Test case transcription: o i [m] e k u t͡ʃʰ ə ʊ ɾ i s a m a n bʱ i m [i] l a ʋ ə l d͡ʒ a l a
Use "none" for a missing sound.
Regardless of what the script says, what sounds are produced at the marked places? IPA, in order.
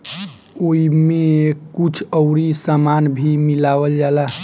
m, i

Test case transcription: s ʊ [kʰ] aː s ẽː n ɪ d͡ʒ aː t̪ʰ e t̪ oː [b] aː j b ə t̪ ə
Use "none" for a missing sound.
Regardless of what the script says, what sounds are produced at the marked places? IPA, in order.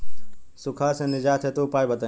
kʰ, p

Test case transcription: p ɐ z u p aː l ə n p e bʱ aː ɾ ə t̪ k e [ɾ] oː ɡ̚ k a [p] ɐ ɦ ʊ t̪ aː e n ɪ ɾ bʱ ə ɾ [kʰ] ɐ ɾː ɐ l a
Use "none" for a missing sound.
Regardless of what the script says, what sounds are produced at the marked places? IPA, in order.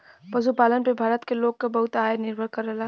l, b, k

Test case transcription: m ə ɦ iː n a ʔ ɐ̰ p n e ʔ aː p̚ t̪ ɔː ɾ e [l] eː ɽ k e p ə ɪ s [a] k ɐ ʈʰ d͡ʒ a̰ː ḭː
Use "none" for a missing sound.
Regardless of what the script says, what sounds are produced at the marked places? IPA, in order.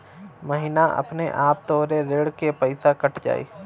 ɾ, a

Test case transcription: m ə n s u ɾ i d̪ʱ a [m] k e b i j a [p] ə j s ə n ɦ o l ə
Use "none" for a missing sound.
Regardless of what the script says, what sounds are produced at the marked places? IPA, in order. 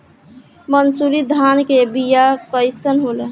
n, k

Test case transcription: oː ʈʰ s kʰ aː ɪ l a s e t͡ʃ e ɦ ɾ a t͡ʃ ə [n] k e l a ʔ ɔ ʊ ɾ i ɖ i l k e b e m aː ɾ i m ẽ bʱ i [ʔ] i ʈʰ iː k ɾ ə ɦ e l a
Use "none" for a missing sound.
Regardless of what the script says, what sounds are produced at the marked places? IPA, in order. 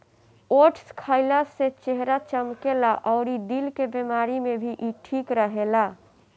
m, ʔ

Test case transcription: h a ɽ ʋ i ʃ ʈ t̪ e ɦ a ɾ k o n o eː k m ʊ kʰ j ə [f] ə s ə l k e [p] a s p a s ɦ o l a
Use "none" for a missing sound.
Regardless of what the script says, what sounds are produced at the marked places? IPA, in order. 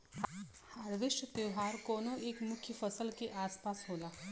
f, ʔ

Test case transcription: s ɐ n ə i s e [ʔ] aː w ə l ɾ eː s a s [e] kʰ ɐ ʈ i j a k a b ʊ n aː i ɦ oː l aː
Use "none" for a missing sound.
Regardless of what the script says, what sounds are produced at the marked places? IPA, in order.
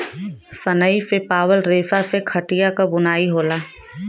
p, e

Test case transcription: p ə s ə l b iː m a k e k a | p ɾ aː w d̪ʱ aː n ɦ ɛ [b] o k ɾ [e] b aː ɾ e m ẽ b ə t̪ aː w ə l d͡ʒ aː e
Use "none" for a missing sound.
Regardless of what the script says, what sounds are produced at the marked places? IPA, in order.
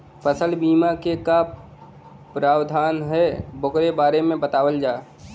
b, e

